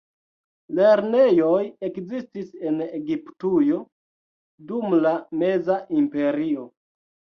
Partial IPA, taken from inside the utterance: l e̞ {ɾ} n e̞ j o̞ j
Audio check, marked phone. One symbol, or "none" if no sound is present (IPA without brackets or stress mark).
ɾ